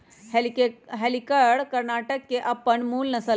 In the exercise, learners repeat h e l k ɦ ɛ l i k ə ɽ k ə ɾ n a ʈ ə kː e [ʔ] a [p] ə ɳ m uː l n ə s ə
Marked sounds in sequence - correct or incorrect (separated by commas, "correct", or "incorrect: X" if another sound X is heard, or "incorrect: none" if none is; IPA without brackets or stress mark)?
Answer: correct, correct